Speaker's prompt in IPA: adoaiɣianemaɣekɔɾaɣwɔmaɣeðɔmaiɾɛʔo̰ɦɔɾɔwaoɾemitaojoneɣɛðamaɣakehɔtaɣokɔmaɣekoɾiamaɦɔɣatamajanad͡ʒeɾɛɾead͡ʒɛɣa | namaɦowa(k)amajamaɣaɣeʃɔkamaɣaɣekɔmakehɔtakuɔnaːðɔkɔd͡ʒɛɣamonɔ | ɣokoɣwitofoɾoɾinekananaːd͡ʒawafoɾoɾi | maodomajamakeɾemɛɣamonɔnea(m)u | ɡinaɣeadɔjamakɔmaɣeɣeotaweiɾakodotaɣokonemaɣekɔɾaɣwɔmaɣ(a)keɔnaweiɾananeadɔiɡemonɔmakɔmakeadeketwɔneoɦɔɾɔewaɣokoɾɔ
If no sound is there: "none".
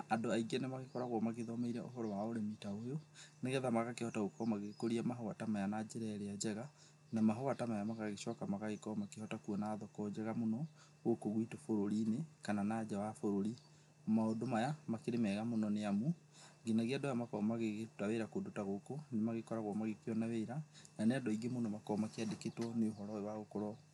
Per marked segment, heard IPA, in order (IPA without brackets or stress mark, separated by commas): t, m, e